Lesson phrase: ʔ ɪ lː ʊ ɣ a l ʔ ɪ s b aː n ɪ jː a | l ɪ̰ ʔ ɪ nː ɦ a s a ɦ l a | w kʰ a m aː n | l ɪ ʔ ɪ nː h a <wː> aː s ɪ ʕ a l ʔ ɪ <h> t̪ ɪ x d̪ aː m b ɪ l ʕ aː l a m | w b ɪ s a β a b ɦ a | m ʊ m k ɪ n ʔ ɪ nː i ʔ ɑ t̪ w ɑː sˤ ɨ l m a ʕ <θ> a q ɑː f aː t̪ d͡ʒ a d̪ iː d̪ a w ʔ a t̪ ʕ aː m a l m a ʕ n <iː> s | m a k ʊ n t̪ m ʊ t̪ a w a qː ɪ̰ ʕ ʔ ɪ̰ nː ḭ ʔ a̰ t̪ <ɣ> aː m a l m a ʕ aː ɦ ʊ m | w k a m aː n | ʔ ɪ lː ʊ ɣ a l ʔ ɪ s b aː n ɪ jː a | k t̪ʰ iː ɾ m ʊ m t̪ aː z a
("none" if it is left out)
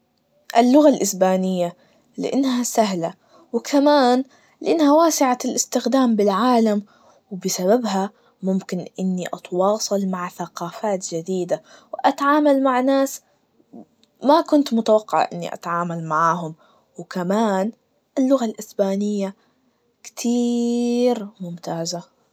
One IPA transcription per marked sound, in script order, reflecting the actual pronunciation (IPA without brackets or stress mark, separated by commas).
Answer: w, s, θ, aː, ʕ